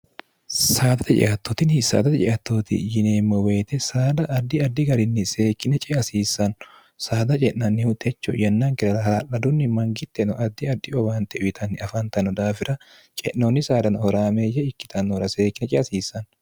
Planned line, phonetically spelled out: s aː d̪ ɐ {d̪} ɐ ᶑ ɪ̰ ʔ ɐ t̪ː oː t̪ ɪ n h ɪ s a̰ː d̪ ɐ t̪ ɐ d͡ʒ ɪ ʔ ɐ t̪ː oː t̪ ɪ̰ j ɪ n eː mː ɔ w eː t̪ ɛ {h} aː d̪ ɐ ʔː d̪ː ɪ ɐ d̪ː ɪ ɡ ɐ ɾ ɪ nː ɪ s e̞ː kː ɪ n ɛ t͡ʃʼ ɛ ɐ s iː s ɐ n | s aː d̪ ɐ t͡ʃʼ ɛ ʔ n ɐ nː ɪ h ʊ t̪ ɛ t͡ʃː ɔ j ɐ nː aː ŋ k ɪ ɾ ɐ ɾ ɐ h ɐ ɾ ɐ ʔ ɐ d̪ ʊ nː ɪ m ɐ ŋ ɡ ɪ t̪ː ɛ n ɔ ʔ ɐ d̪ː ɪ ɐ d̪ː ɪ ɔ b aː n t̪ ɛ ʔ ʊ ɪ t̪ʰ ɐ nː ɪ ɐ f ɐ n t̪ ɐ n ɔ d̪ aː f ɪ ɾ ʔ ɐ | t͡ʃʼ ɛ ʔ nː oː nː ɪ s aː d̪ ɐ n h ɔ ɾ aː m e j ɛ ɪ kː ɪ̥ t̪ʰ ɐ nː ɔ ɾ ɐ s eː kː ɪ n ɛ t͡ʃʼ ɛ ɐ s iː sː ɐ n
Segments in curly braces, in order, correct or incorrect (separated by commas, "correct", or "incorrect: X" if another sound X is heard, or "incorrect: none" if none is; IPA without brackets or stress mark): incorrect: t̪, incorrect: s